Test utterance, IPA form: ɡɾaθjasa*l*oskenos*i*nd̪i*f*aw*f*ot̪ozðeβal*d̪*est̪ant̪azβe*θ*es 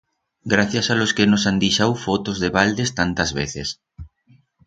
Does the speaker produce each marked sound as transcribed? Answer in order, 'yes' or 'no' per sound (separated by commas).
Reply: yes, no, no, yes, yes, yes